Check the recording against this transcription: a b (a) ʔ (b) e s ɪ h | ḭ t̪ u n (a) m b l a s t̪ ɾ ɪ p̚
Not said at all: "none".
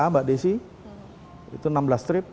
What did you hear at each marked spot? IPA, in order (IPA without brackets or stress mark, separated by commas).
a, d, a